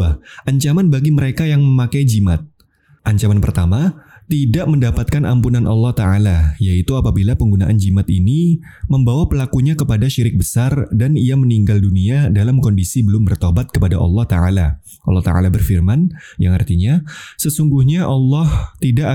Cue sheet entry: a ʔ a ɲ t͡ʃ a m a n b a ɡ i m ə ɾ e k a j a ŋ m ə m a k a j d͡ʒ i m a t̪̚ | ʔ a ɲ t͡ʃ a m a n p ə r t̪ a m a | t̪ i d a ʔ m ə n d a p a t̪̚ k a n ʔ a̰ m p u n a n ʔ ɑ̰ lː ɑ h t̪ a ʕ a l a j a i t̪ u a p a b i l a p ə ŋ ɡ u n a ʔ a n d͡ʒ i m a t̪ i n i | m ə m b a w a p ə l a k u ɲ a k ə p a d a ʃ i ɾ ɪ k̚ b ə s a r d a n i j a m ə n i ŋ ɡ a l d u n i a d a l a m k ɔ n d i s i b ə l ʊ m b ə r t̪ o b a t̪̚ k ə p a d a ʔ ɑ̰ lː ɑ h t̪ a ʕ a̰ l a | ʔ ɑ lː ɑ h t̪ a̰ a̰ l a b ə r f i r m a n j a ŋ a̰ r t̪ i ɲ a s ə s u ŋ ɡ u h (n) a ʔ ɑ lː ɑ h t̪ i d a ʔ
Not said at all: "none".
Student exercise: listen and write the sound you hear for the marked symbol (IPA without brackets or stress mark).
ɲ